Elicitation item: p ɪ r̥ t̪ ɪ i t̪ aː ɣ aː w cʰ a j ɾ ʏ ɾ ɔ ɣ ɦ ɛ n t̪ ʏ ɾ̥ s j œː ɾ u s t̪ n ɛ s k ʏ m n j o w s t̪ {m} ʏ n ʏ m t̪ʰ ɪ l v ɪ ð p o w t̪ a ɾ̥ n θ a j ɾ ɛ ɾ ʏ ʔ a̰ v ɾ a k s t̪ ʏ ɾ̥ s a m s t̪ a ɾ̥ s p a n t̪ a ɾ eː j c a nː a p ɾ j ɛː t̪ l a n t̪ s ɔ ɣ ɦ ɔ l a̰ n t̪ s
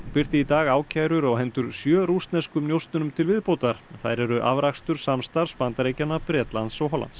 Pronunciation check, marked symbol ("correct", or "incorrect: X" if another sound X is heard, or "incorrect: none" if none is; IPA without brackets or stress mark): incorrect: n